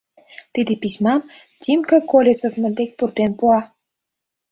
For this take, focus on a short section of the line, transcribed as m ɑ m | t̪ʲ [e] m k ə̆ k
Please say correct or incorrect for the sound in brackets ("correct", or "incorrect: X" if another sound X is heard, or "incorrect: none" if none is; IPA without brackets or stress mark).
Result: incorrect: i